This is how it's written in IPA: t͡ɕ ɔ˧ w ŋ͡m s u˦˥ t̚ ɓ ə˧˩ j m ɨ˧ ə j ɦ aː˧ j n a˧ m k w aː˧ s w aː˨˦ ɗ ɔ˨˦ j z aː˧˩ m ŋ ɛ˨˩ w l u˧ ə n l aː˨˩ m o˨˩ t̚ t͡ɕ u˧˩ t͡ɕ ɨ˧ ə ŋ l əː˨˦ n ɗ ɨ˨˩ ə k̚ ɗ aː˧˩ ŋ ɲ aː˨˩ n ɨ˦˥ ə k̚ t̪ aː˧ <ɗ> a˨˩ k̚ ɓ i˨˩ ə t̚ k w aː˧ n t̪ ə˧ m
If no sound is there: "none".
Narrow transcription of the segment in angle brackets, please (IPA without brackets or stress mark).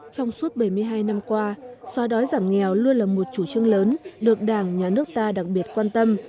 ɗ